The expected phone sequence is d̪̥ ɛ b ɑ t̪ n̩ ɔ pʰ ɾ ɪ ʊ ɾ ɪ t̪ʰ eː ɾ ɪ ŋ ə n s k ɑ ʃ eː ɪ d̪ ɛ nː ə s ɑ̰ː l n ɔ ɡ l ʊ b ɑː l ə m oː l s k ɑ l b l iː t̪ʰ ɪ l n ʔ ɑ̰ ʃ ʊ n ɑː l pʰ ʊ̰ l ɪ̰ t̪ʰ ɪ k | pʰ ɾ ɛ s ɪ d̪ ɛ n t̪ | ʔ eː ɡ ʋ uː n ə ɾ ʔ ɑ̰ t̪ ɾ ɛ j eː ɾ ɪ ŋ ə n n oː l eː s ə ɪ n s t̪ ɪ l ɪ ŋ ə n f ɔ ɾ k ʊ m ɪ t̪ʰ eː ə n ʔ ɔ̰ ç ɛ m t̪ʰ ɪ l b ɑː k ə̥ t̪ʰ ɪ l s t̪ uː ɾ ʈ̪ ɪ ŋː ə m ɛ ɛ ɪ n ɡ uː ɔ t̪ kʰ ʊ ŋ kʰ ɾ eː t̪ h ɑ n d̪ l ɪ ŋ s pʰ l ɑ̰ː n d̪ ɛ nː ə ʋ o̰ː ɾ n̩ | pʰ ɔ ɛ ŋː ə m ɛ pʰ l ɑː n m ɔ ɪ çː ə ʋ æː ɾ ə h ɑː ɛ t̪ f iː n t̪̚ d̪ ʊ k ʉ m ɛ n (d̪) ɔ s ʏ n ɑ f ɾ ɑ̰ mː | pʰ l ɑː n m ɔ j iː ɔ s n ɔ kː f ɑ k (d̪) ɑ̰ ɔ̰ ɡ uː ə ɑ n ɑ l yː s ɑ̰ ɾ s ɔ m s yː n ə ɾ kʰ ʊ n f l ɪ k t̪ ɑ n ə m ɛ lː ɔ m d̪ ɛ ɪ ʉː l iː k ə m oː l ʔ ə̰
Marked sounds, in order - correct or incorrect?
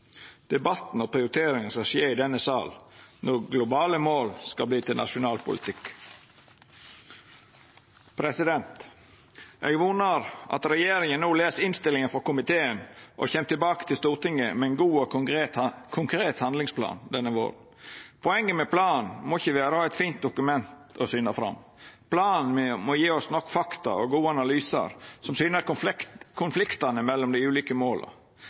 incorrect, incorrect

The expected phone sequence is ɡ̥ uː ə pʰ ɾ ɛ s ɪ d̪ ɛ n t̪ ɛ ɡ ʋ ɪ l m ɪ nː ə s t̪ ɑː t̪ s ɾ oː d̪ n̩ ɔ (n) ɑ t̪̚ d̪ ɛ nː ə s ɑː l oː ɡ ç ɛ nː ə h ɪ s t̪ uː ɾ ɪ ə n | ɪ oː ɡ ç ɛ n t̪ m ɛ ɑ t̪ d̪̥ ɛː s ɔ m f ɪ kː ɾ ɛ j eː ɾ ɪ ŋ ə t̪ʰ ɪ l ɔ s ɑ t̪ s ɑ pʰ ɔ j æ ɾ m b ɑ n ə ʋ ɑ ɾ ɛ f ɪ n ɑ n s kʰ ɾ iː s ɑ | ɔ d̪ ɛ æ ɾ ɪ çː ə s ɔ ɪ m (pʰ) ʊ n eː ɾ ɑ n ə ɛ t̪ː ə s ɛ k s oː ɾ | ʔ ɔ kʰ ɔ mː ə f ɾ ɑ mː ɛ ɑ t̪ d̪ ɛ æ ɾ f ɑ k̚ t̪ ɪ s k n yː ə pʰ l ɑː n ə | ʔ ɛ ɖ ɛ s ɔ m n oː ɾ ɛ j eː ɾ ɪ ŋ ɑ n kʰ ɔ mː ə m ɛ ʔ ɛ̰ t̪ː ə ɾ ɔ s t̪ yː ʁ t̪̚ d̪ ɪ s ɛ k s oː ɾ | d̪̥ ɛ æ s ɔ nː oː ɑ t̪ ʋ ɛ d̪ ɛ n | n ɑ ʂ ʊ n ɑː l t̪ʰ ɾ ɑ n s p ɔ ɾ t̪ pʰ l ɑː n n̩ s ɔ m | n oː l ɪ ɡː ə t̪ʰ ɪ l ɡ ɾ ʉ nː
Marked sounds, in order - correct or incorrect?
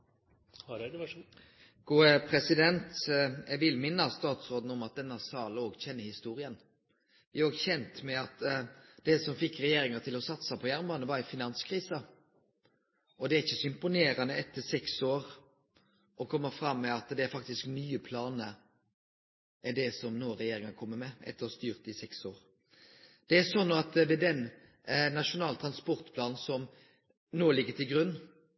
incorrect, incorrect

